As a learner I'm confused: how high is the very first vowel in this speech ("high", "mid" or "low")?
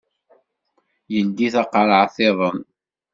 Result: mid